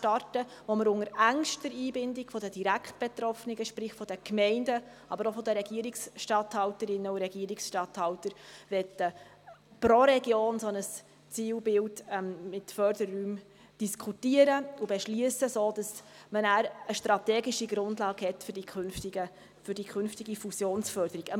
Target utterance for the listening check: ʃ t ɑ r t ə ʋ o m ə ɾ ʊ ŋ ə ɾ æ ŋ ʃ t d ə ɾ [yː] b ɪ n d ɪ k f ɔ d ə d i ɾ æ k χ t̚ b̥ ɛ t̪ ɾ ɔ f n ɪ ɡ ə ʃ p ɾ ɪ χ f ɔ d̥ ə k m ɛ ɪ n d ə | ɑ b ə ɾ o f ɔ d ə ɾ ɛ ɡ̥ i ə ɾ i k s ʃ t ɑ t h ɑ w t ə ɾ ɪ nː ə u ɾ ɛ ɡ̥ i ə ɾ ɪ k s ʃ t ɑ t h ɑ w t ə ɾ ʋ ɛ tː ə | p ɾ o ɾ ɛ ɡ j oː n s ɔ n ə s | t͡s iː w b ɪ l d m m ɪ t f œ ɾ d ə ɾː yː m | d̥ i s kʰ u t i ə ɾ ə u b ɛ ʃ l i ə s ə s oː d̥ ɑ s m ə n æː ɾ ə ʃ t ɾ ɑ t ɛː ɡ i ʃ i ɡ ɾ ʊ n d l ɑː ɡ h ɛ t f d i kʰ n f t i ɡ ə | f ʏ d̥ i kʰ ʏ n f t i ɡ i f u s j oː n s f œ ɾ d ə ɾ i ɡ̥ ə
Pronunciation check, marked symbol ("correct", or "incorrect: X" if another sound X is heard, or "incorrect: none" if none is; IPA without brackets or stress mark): incorrect: iː